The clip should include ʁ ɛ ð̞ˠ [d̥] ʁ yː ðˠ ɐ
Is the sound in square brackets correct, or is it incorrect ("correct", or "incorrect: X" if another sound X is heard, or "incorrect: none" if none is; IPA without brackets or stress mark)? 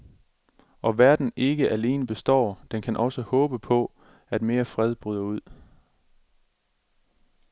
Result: incorrect: b̥